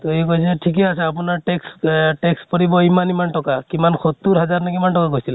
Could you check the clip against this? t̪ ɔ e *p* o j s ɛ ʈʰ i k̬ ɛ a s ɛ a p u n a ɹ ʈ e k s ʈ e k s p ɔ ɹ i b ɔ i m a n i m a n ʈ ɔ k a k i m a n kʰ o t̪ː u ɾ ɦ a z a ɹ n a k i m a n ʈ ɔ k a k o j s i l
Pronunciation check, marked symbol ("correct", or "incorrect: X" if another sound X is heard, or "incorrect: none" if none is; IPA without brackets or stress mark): incorrect: k